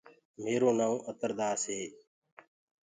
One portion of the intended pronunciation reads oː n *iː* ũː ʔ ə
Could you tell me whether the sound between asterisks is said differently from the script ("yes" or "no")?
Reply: yes